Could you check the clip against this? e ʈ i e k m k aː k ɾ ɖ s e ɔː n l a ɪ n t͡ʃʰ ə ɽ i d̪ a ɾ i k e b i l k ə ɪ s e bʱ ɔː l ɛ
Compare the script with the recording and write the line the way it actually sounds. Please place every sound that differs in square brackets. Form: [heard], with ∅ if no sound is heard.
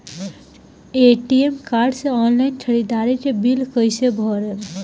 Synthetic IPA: e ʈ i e [∅] m k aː [∅] ɾ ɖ s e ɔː n l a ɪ n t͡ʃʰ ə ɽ i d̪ a ɾ i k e b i l k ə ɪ s e bʱ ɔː [ɾ] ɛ